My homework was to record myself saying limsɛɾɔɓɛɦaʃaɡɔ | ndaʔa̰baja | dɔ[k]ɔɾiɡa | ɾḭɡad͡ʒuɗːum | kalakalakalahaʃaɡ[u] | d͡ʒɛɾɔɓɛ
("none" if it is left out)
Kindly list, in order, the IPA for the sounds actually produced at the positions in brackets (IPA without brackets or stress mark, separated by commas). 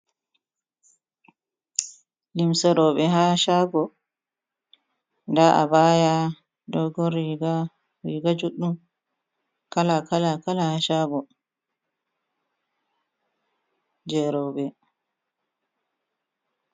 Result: ɡ, ɔ